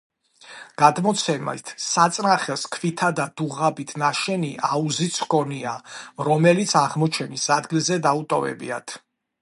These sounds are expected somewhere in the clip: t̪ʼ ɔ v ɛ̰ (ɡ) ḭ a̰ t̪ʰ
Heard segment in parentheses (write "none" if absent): b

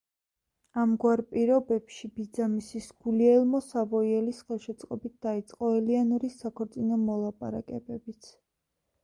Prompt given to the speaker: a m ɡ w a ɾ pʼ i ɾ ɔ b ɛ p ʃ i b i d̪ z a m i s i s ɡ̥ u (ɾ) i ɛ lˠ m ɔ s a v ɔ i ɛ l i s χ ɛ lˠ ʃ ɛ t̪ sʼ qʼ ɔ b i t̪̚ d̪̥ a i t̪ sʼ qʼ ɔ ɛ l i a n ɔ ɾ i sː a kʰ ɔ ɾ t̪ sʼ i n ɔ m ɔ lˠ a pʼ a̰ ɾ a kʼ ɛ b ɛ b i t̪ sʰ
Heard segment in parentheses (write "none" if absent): l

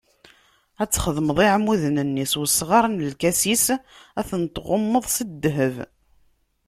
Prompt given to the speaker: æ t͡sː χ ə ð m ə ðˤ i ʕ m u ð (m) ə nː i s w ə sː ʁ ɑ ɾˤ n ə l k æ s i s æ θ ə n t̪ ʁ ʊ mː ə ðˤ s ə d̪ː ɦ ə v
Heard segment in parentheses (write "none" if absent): n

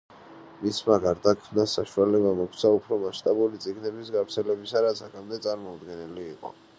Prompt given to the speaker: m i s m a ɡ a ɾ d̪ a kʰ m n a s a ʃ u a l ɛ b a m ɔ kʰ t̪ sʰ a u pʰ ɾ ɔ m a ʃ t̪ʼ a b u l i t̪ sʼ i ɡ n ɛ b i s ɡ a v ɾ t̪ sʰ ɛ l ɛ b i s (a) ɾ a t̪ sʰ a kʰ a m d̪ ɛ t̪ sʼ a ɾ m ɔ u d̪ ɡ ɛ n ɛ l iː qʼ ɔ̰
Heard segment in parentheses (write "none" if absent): a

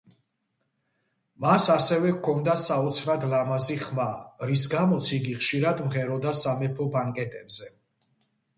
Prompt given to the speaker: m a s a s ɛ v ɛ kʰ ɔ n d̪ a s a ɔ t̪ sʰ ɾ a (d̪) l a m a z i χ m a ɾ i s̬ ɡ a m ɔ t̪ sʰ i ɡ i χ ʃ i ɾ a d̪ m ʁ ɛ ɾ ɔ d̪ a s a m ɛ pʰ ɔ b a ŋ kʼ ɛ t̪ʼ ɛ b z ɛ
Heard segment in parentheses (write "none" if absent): d̪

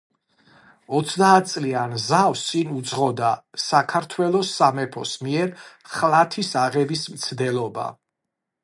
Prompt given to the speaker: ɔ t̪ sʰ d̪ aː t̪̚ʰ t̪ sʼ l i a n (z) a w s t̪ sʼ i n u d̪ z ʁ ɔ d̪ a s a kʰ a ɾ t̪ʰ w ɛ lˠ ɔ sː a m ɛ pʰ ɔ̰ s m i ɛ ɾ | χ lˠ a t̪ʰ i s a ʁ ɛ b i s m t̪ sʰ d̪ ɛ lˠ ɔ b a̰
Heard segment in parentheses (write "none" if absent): z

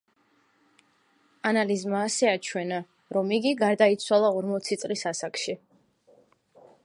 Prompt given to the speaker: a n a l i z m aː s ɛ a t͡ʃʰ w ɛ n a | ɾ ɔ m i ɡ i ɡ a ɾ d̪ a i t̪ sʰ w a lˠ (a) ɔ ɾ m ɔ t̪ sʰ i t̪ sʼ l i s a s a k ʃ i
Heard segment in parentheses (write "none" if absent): a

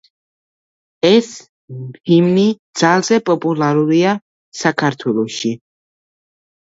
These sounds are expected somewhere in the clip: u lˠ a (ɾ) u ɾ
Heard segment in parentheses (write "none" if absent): ɾ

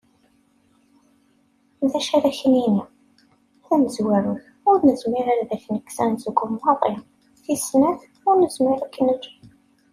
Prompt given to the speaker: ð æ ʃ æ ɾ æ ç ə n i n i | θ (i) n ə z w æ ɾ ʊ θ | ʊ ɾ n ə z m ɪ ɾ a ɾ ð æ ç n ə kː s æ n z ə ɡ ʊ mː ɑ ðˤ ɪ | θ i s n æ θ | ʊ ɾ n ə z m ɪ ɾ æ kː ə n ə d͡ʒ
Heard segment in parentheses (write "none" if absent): æ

